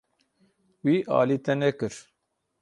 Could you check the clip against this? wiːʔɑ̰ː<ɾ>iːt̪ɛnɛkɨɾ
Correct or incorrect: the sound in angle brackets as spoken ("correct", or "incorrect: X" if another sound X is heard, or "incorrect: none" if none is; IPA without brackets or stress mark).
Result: incorrect: l